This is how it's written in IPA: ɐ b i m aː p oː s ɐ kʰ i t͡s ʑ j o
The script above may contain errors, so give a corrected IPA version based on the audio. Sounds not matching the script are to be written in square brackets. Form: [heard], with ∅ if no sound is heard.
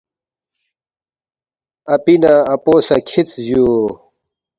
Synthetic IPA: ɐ [p] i [n] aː p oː s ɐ kʰ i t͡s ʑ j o